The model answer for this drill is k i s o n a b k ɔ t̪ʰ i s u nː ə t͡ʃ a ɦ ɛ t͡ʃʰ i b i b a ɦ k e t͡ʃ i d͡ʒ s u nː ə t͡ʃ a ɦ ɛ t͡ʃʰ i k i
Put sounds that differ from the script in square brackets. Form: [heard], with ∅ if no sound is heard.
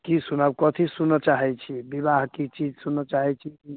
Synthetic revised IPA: k i s [u] n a b k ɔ t̪ʰ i s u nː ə t͡ʃ a ɦ ɛ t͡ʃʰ i b i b a ɦ k [i] t͡ʃ i d͡ʒ s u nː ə t͡ʃ a ɦ ɛ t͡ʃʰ i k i

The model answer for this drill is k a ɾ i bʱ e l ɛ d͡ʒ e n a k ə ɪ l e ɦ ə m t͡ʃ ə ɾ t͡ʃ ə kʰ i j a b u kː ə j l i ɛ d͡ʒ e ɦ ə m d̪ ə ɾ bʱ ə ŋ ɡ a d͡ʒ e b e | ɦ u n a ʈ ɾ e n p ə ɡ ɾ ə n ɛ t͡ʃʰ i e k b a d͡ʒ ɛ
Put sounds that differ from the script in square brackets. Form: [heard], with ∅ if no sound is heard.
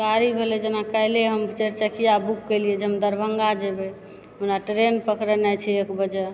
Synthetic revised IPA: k a ɾ i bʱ e l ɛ d͡ʒ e n a k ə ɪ l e ɦ ə m t͡ʃ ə ɾ t͡ʃ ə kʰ i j a b u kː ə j l i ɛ d͡ʒ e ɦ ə m d̪ ə ɾ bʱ ə ŋ ɡ a d͡ʒ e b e | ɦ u n a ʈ ɾ e n p ə [k] ɾ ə n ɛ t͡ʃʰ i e k b [ə] d͡ʒ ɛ

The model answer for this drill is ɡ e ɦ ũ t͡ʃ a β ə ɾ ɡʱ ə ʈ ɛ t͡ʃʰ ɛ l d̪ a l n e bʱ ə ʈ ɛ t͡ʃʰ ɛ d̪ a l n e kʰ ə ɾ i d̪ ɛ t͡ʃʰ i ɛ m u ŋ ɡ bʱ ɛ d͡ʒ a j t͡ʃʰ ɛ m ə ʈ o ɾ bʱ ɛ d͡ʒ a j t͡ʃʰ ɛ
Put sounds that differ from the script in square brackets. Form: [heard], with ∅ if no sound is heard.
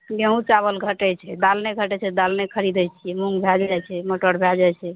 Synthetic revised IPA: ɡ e ɦ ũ t͡ʃ a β ə [l] ɡʱ ə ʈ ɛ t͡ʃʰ ɛ [∅] d̪ a l n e [ɡʱ] ə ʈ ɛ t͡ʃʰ ɛ d̪ a l n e kʰ ə ɾ i d̪ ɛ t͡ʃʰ i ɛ m u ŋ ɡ bʱ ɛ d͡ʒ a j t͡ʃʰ ɛ m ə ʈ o ɾ bʱ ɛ d͡ʒ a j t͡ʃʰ ɛ

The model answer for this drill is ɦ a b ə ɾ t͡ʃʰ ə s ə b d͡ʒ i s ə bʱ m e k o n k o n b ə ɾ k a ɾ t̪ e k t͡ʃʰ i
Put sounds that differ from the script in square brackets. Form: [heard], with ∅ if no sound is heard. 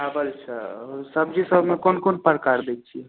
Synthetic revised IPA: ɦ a b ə [l] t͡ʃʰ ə s ə b d͡ʒ i s ə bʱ m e k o n k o n [p] ə ɾ k a ɾ [d̪] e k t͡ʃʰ i

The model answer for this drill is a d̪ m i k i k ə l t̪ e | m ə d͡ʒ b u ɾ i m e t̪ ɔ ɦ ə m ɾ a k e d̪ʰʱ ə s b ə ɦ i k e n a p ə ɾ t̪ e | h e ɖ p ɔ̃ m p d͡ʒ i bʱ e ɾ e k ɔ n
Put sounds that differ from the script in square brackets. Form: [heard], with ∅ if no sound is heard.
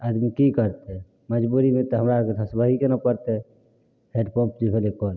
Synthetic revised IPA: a d̪ m i k i k ə [ɾ] t̪ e | m ə d͡ʒ b u ɾ i m e t̪ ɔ ɦ ə m ɾ a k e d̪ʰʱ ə s b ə ɦ i k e n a p ə ɾ t̪ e | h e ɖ p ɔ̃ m p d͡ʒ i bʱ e [l] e k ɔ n

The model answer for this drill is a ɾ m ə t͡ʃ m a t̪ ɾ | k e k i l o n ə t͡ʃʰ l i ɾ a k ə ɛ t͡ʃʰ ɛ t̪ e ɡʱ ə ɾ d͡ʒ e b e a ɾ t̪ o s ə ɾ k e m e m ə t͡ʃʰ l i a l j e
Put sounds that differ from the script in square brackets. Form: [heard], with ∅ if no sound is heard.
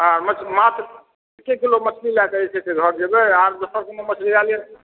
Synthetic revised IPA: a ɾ m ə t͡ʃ m a t̪ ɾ | k e k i l o [m] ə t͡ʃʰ l i [l] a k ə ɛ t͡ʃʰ ɛ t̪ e ɡʱ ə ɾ d͡ʒ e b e a ɾ [d̪] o s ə ɾ k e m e m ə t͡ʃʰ l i a l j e

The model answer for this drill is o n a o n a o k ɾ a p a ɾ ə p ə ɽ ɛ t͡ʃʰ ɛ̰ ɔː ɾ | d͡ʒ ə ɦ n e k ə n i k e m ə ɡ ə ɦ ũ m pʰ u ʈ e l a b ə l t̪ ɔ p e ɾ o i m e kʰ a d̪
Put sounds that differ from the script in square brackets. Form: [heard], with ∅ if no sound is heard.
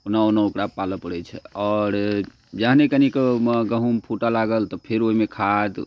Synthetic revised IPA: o n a o n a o k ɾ a p a [l] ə p ə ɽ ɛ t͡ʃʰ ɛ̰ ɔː ɾ | d͡ʒ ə ɦ n e k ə n i k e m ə ɡ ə ɦ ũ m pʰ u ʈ [a] l a [ɡ] ə l t̪ ɔ [pʰ] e ɾ o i m e kʰ a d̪

